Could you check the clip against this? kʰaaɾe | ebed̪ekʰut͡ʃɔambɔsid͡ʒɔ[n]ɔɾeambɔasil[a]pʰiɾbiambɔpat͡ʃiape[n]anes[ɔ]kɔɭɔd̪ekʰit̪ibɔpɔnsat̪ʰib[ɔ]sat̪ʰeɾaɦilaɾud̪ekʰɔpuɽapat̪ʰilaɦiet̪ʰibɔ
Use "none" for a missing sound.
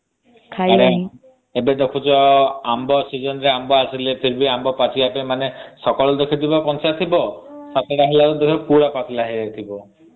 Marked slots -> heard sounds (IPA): n, e, m, ɔ, ɔ

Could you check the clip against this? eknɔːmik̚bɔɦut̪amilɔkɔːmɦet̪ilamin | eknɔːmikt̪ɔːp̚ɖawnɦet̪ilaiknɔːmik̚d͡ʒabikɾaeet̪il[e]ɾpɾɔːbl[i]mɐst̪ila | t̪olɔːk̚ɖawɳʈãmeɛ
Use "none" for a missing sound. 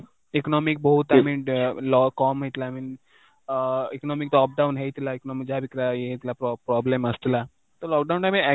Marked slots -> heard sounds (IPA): a, e

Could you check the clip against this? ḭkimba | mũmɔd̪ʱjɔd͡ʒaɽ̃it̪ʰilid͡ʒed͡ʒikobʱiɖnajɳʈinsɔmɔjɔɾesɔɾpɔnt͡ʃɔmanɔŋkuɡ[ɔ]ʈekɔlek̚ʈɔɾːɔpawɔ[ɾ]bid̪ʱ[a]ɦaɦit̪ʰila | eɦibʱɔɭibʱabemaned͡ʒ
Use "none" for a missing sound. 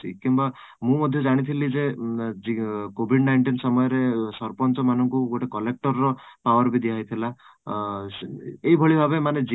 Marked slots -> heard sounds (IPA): o, ɾ, i

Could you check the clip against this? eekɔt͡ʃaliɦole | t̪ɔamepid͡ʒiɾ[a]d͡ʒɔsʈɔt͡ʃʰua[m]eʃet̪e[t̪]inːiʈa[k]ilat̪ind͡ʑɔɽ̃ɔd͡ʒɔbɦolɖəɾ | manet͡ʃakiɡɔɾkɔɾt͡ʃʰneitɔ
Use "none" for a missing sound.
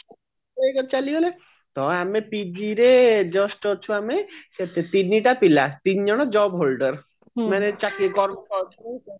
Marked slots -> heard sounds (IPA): e, m, t̪, p

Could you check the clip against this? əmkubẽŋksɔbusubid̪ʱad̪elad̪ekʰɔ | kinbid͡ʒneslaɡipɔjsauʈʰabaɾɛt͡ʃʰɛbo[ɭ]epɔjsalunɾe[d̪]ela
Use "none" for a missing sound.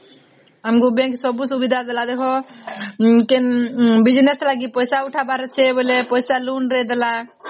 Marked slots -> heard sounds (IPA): l, d̪

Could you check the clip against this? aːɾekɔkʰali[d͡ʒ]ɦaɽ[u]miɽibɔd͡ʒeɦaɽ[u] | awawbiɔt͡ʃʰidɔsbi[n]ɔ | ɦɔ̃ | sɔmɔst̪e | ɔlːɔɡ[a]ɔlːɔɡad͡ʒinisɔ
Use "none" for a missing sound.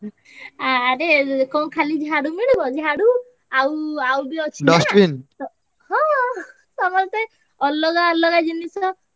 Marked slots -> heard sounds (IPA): d͡ʒ, u, u, n, a

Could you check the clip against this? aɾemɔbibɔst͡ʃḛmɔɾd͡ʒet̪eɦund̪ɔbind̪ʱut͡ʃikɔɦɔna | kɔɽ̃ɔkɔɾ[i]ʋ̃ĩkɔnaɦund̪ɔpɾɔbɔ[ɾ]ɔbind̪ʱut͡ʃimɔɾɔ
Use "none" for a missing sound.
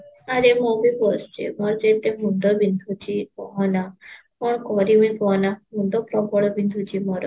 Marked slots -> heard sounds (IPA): i, ɭ

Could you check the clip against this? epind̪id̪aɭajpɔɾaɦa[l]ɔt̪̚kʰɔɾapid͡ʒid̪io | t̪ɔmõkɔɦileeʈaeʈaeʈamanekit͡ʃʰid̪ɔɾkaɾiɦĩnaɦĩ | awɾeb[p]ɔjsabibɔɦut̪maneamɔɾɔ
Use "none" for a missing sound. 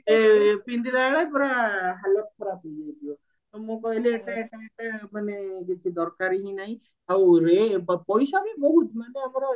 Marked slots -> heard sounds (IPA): l, p

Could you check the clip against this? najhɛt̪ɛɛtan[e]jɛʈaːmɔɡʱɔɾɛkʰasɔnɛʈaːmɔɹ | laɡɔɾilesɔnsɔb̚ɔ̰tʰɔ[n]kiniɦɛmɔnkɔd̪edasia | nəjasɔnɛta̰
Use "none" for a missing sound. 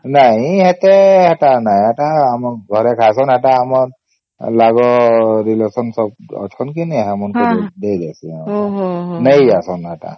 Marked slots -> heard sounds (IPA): a, n

